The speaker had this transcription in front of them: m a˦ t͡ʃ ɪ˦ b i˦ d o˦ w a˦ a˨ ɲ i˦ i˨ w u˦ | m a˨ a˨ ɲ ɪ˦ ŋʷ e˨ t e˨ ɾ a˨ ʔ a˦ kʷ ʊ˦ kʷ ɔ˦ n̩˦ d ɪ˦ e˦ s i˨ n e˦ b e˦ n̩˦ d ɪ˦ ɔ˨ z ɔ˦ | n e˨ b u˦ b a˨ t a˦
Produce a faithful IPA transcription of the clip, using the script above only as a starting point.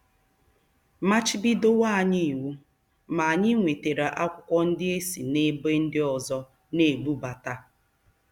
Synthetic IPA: m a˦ t͡ʃ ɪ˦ b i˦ d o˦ w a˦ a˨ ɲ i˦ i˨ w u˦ | m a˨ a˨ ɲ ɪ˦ ŋʷ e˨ t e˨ ɾ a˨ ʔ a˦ kʷ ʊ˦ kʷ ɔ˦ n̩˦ d ɪ˦ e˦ s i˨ n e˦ b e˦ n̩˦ d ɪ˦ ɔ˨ z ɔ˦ | n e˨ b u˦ b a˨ t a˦